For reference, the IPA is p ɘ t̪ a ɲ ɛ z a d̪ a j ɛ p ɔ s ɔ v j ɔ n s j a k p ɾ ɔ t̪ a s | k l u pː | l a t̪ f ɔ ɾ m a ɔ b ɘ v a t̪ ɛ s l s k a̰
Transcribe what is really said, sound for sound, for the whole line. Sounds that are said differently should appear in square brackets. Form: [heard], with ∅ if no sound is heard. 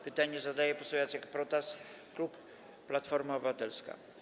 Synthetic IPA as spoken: p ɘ t̪ a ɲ ɛ z a d̪ a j ɛ p ɔ s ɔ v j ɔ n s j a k p ɾ ɔ t̪ a s | k l u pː | l a t̪ f ɔ ɾ m a ɔ b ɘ v a t̪ ɛ [∅] l s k a̰